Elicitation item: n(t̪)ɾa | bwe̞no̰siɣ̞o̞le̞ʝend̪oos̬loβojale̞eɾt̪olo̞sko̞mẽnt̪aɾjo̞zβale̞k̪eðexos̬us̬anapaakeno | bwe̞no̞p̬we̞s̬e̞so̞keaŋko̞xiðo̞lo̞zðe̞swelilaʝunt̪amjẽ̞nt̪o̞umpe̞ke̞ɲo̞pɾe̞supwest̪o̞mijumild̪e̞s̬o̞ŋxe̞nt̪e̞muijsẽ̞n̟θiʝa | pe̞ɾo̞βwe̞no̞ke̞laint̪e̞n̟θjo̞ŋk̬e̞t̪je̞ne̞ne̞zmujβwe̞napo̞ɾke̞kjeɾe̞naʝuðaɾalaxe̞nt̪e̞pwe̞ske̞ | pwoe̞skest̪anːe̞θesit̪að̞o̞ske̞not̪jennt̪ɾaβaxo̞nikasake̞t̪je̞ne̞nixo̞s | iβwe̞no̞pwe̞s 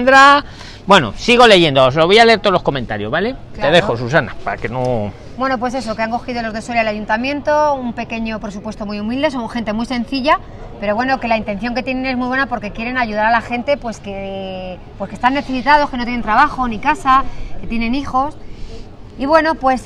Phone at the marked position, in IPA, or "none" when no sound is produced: d̪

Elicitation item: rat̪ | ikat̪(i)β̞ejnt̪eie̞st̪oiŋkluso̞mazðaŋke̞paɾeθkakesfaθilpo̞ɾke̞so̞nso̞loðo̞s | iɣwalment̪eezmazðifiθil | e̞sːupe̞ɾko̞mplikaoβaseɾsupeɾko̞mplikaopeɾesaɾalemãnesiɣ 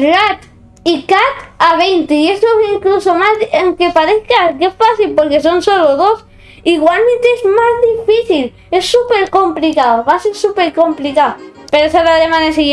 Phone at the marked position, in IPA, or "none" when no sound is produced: a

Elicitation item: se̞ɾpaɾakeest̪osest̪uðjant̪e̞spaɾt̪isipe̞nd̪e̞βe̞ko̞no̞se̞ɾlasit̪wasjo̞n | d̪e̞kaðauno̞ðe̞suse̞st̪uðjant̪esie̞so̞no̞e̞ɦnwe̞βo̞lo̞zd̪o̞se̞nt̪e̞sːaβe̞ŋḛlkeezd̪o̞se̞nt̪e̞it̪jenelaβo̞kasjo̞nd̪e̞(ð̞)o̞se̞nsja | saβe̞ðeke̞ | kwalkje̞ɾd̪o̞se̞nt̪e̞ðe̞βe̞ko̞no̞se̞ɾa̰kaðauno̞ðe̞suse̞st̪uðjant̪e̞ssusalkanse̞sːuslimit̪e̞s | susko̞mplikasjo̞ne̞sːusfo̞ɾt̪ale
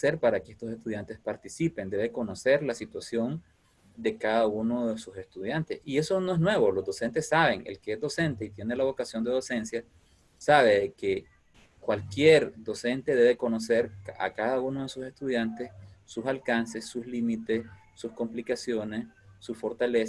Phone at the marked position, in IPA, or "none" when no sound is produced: ð̞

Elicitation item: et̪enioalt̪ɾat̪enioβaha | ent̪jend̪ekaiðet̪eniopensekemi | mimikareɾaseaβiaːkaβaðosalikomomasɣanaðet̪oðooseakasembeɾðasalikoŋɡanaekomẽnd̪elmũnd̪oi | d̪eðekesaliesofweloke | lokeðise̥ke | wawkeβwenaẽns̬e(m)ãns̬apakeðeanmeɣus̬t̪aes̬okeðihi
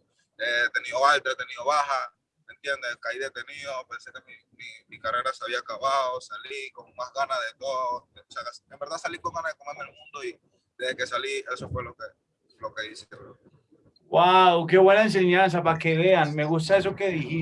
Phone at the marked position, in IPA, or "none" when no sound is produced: ɲ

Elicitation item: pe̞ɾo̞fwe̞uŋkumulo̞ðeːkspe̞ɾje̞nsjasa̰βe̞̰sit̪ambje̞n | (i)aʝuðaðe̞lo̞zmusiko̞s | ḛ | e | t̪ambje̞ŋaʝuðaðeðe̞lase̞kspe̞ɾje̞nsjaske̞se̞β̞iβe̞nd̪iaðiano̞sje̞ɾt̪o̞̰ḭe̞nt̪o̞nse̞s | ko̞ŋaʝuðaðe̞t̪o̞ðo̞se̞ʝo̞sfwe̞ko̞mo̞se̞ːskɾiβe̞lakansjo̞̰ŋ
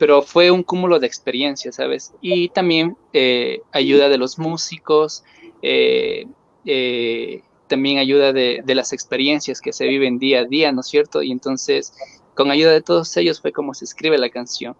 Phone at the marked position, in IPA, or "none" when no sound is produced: e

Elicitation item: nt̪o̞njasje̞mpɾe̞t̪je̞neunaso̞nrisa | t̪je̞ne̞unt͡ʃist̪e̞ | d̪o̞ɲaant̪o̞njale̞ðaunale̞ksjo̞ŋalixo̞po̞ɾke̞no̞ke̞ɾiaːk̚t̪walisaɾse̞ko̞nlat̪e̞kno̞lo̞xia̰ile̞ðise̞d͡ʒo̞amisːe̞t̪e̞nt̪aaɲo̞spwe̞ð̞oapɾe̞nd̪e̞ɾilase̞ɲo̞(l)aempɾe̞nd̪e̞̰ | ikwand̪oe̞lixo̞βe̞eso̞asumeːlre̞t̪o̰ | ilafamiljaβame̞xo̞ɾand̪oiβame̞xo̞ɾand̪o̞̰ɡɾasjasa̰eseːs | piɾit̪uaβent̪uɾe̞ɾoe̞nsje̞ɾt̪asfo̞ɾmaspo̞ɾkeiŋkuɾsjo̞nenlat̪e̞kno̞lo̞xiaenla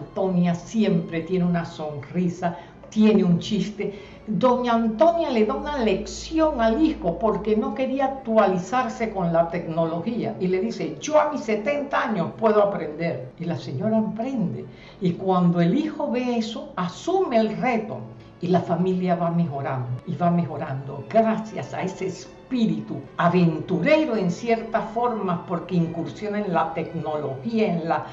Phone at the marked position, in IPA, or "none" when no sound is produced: ɾ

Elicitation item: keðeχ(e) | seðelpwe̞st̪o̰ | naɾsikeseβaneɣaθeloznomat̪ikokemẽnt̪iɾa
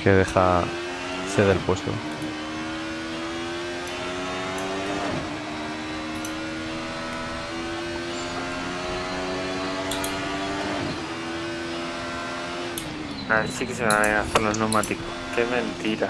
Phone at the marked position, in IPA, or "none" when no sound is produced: a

